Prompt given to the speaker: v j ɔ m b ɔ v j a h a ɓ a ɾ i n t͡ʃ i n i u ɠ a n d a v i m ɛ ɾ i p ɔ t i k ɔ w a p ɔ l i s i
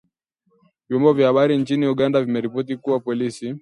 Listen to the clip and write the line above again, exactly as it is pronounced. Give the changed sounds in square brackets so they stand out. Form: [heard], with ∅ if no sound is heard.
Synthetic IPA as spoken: v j ɔ m b ɔ v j a h a ɓ a ɾ i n t͡ʃ i n i u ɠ a n d a v i m ɛ ɾ i p ɔ t i k [u] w a p ɔ l i s i

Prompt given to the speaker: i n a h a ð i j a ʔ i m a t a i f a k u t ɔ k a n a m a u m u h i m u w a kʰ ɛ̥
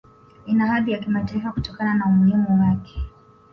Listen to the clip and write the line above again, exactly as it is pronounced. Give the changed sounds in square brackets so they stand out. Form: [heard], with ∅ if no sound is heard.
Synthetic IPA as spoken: i n a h a ð i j a [k] i m a t a i f a k u t ɔ k a n a [n] a u m u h i m u w a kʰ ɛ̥

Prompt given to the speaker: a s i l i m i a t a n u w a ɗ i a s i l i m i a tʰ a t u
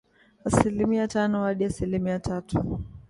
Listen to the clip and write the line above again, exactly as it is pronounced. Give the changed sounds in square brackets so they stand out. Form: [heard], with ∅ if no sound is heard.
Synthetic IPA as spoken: a s i l i m i a t a n [ɔ] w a ɗ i a s i l i m i a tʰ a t u

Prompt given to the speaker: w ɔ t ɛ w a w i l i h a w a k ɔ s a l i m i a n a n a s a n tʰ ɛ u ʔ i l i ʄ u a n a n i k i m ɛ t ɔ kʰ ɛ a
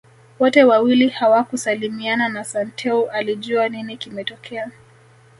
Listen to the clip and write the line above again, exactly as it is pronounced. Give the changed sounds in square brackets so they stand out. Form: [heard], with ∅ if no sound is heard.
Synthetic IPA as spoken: w ɔ t ɛ w a w i l i h a w a k [u] s a l i m i a n a n a s a n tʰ ɛ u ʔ [a] l i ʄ u a n [i] n i k i m ɛ t ɔ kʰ ɛ a

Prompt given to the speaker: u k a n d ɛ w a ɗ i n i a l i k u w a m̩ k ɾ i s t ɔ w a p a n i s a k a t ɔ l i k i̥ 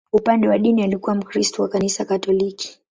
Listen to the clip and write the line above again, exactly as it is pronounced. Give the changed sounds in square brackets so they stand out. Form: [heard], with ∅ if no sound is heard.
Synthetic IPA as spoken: u [p] a n d ɛ w a ɗ i n i a l i k u w a m̩ k ɾ i s t ɔ w a [k] a n i s a k a t ɔ l i k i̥

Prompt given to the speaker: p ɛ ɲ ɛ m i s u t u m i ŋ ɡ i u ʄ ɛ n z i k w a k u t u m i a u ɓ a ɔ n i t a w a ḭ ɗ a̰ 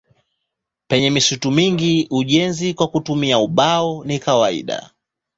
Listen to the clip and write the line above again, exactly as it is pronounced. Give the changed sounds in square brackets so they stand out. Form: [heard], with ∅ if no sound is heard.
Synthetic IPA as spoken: p ɛ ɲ ɛ m i s u t u m i ŋ ɡ i u ʄ ɛ n z i k w a k u t u m i a u ɓ a ɔ n i [k] a w a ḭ ɗ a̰

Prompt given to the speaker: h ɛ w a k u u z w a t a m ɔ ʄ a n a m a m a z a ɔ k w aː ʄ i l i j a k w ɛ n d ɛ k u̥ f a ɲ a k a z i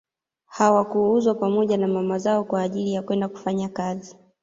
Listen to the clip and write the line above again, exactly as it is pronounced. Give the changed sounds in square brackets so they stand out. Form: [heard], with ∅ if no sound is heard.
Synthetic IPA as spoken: h [a] w a k u u z w a [p] a m ɔ ʄ a n a m a m a z a ɔ k w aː ʄ i l i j a k w ɛ n d [a] k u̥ f a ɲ a k a z i

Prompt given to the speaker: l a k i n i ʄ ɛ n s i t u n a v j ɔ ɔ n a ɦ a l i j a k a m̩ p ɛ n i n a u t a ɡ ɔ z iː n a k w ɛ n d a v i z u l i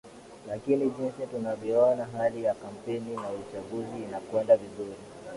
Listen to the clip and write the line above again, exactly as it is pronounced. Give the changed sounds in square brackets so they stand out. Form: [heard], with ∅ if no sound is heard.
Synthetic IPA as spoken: l a k i n i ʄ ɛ n s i t u n a v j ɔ ɔ n a ɦ a l i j a k a m̩ p ɛ n i n a u [t͡ʃ] a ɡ [u] z iː n a k w ɛ n d a v i z u [ɾ] i

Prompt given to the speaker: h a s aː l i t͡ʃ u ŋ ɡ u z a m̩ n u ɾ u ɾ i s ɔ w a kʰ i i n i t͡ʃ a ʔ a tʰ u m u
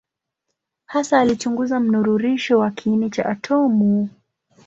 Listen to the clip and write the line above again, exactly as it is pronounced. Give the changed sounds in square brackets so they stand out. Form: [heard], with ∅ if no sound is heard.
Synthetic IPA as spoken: h a s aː l i t͡ʃ u ŋ ɡ u z a m̩ n u ɾ u ɾ i [ʃ] ɔ w a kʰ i i n i t͡ʃ a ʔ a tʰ [ɔ] m u

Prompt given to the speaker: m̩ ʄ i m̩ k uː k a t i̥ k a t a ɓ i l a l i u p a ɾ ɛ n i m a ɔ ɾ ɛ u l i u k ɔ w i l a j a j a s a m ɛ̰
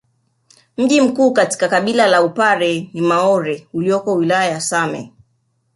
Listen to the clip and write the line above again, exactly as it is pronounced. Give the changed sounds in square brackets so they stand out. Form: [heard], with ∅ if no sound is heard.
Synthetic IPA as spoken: m̩ ʄ i m̩ k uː k a t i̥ k a [k] a ɓ i l a l [a] u p a ɾ ɛ n i m a ɔ ɾ ɛ u l i [ɔ] k ɔ w i l a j a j a s a m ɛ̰

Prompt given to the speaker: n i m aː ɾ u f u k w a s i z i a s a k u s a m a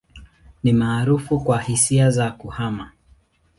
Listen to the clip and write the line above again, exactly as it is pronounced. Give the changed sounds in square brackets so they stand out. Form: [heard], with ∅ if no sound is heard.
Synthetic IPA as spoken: n i m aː ɾ u f u k w a [h] i [s] i a [z] a k u [h] a m a

